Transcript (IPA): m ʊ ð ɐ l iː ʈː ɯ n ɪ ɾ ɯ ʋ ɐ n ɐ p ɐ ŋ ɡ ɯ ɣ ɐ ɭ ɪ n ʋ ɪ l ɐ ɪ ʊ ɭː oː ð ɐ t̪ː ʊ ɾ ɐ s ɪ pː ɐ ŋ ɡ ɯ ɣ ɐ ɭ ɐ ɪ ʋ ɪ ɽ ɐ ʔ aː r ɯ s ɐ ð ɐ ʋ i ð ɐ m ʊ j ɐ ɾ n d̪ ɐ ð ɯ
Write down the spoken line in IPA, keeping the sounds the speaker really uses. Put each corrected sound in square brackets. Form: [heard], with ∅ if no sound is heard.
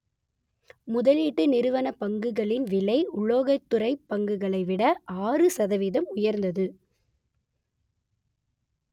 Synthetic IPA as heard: m ʊ ð ɐ l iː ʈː ɯ n ɪ ɾ ɯ ʋ ɐ n ɐ p ɐ ŋ ɡ ɯ ɣ ɐ ɭ ɪ n ʋ ɪ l ɐ ɪ ʊ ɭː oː [ɣ] ɐ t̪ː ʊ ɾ ɐ [∅] ɪ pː ɐ ŋ ɡ ɯ ɣ ɐ ɭ ɐ ɪ ʋ ɪ ɽ ɐ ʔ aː r ɯ s ɐ ð ɐ ʋ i ð ɐ m ʊ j ɐ ɾ n d̪ ɐ ð ɯ